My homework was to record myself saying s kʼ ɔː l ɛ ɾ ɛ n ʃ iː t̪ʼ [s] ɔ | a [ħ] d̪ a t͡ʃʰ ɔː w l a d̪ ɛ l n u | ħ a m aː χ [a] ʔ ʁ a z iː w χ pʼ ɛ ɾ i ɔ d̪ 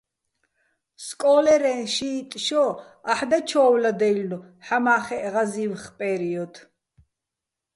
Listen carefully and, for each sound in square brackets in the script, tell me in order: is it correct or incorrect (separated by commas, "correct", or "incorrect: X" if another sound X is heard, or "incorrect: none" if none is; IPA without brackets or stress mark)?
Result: incorrect: ʃ, correct, incorrect: ɛ